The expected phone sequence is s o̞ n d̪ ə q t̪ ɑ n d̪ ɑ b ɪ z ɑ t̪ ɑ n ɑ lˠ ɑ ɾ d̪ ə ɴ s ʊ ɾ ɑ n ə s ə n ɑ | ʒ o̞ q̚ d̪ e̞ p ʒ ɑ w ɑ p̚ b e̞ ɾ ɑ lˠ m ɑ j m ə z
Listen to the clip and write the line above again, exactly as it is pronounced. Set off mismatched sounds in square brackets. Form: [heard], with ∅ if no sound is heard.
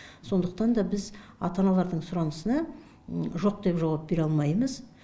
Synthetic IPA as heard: s o̞ n d̪ ə q t̪ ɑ n d̪ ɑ b ɪ z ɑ t̪ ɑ n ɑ lˠ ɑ ɾ d̪ ə ɴ s ʊ ɾ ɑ n ə s ə n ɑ | ʒ o̞ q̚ d̪ e̞ p ʒ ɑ w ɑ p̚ b e̞ ɾ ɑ lˠ m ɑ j m ə z